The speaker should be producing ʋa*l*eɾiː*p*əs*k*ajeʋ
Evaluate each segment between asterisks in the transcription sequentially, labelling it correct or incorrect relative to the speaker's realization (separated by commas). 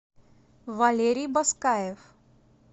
correct, incorrect, correct